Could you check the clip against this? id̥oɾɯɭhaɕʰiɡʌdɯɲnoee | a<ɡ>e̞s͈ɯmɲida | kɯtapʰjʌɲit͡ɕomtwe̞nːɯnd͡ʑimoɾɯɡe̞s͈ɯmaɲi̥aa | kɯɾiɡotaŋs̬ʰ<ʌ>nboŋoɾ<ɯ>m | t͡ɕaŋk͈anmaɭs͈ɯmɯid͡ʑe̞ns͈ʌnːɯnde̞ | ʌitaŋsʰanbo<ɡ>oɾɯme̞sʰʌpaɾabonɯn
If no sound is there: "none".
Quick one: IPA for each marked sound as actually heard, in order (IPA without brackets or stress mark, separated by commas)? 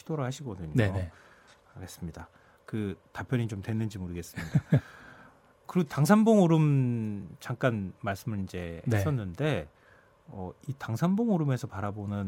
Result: ɡ, a, ɯ, ŋ